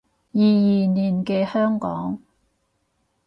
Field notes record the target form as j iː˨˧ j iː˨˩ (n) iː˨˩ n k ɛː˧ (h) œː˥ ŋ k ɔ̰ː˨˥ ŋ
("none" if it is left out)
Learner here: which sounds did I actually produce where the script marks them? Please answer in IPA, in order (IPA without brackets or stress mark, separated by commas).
n, h